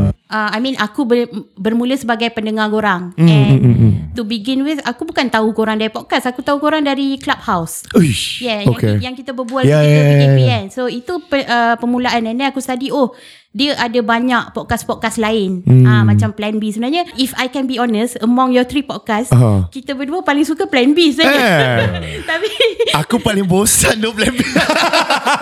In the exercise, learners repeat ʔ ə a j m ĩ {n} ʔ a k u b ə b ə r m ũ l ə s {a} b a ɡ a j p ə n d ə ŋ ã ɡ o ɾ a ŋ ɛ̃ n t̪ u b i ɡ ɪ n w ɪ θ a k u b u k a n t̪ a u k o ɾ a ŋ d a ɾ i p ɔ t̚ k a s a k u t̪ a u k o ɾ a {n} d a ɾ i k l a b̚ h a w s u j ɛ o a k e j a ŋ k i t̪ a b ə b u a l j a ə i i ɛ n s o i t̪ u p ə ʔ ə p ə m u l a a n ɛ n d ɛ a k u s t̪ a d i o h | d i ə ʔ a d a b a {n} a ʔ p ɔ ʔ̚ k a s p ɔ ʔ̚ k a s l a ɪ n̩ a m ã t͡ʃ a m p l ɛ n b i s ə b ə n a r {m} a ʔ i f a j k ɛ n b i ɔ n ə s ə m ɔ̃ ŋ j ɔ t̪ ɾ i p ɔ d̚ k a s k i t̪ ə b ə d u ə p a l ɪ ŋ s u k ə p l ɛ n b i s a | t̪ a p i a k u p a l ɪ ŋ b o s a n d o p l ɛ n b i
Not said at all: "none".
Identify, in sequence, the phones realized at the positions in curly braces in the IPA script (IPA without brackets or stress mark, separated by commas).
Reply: n, ə, ŋ, ɲ, ɲ